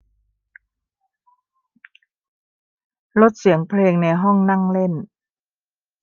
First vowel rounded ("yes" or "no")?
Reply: yes